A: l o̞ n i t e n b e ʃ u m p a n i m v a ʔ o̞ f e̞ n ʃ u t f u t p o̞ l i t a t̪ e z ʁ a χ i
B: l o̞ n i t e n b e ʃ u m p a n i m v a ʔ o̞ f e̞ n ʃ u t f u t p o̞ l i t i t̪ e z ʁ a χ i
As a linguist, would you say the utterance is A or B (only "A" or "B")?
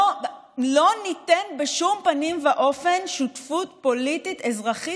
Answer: B